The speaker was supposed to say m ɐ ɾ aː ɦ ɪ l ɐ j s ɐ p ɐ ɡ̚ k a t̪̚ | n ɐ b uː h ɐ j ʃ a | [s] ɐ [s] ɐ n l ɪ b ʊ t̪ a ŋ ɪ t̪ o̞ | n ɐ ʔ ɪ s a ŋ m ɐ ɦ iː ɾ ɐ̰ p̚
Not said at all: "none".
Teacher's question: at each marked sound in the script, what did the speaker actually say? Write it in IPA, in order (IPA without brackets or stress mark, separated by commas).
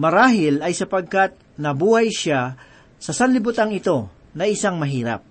s, s